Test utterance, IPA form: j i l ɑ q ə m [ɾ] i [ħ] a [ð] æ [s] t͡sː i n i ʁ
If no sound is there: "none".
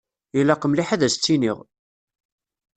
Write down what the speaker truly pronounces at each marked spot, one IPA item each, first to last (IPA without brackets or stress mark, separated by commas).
l, ħ, ð, s